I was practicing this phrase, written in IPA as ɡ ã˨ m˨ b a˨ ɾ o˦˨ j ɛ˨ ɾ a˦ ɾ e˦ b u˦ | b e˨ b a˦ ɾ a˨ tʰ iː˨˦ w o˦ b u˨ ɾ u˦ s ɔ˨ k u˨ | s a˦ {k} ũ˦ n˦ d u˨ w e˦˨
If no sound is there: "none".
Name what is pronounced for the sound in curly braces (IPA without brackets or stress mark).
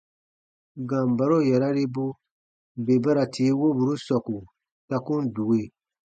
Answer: k